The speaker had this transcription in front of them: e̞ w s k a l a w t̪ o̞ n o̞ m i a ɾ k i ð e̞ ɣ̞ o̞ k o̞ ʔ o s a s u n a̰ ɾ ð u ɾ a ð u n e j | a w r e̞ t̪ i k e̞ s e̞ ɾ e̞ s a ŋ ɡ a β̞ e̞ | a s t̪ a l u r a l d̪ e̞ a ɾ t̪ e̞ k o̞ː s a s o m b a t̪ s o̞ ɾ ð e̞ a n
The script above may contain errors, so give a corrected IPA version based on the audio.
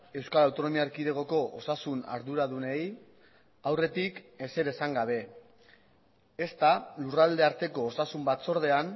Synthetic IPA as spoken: e̞ w s k a l a w t̪ o̞ n o̞ m i a ɾ k i ð e̞ ɣ̞ o̞ k o̞ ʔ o s a s u n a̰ ɾ ð u ɾ a ð u n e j | a w r e̞ t̪ i k e̞ s e̞ ɾ e̞ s a ŋ ɡ a β̞ e̞ | e s t̪ a l u r a l d̪ e̞ a ɾ t̪ e̞ k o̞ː s a s u m b a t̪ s o̞ ɾ ð e̞ a n